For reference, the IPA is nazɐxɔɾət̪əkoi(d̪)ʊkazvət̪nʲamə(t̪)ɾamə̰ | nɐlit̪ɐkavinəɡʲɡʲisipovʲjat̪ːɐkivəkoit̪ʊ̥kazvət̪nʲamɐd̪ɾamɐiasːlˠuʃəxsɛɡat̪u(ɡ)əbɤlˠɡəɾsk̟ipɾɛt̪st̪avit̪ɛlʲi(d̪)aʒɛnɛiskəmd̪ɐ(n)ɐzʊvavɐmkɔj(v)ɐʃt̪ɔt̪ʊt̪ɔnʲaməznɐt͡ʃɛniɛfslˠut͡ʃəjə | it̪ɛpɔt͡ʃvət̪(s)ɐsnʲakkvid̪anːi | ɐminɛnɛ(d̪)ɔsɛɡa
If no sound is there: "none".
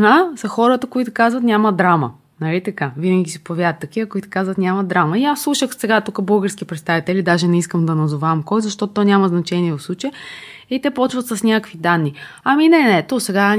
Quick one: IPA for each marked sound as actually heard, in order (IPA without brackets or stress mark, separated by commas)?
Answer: t̪, d̪, k, d̪, n, z, s, t̪